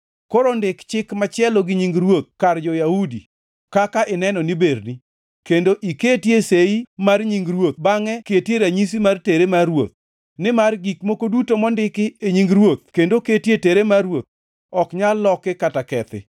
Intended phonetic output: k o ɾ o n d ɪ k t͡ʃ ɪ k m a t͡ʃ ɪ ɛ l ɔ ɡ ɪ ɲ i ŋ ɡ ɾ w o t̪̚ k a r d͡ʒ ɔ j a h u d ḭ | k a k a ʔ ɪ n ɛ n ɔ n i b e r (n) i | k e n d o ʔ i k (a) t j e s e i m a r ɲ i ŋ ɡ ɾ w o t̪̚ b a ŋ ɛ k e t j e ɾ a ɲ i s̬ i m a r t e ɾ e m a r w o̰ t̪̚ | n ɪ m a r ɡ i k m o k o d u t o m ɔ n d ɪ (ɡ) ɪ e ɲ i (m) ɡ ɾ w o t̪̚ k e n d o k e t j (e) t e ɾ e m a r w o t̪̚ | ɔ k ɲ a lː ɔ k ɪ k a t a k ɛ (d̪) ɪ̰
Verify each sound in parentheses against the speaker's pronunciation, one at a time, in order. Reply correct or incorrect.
correct, incorrect, incorrect, incorrect, correct, incorrect

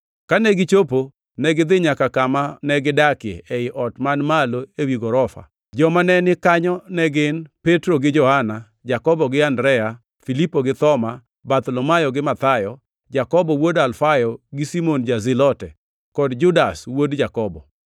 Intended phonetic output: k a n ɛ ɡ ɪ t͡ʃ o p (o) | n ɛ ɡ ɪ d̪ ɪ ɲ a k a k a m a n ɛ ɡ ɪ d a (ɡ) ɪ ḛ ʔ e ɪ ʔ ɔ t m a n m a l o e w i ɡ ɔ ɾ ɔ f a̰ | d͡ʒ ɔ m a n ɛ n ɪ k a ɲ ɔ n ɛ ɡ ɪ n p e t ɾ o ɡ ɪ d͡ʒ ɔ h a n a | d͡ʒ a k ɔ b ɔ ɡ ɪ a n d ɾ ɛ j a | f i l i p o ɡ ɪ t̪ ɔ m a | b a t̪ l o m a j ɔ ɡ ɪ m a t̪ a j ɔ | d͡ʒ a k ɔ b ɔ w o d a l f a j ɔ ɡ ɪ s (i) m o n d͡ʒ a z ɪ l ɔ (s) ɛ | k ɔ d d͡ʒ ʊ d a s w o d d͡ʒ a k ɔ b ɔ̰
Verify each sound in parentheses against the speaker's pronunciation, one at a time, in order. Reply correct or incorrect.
correct, incorrect, correct, incorrect

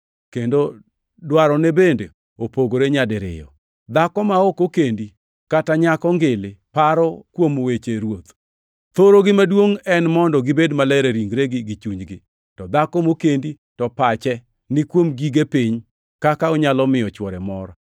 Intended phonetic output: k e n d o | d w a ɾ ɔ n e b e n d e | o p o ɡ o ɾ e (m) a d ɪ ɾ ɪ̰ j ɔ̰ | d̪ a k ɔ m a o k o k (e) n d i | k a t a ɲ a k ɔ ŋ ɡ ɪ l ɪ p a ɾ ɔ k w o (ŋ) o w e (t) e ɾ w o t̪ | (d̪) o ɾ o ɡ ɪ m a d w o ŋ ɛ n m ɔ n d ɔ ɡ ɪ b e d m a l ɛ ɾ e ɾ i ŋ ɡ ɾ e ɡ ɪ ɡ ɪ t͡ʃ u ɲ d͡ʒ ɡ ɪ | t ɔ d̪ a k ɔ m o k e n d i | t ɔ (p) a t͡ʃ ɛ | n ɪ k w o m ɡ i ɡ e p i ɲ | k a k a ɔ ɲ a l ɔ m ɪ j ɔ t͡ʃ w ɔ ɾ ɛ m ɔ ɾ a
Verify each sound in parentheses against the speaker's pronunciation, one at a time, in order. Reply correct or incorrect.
incorrect, correct, incorrect, incorrect, incorrect, correct

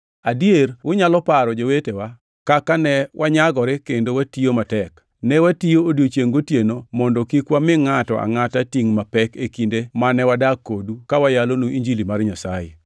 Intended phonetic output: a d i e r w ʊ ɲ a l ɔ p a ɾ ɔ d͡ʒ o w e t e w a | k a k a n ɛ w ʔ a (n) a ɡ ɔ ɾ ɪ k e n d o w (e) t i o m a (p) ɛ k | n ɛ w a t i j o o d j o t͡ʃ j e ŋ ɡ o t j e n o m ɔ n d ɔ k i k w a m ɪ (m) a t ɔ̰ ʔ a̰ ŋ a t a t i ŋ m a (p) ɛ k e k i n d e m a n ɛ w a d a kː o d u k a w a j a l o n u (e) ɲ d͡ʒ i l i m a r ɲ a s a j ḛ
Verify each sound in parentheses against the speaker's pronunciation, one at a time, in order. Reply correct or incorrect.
incorrect, incorrect, incorrect, incorrect, correct, incorrect

